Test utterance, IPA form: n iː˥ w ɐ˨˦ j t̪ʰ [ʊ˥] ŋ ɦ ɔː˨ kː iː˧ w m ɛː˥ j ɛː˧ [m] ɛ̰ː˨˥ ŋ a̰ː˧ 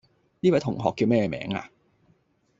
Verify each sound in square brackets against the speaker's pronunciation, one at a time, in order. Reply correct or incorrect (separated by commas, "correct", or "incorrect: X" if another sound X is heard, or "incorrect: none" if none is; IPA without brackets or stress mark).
incorrect: ʊ˨˩, correct